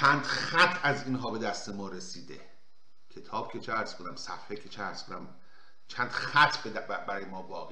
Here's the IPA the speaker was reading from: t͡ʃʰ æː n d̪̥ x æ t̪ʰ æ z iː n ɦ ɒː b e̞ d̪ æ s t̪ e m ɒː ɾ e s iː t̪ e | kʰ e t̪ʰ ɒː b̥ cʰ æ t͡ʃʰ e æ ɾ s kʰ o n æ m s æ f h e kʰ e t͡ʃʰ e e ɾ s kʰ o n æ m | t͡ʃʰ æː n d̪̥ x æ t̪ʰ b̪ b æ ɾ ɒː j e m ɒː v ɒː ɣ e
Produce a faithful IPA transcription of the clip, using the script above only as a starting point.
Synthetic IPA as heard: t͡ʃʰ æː n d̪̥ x æ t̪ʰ æ z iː n ɦ ɒː b e̞ d̪ æ s t̪ e m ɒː ɾ e s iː d̪ e | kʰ e t̪ʰ ɒː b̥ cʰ e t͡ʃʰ e æ ɾ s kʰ o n æ m s æ f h e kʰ e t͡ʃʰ e æ ɾ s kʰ o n æ m | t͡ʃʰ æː n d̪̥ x æ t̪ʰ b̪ b æ ɾ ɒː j e m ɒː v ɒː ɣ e